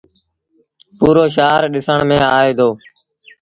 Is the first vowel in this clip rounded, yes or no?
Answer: yes